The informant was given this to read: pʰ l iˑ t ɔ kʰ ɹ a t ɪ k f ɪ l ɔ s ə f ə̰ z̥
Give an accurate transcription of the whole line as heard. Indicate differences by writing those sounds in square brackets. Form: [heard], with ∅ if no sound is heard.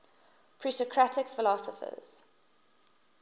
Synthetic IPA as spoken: pʰ [ɹ] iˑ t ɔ kʰ ɹ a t ɪ k f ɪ l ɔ s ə f ə̰ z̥